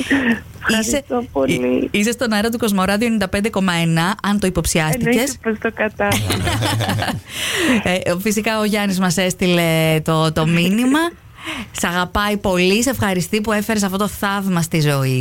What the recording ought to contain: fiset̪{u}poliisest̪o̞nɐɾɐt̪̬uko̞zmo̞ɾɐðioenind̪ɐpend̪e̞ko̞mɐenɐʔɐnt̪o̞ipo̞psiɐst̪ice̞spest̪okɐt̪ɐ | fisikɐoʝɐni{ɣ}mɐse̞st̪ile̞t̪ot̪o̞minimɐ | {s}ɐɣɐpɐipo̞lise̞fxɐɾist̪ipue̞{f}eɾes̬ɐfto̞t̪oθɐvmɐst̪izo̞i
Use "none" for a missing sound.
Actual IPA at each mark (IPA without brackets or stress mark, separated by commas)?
o, z, s, f